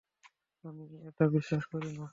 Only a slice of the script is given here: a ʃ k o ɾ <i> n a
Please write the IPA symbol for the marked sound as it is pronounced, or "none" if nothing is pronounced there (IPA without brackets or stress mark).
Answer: i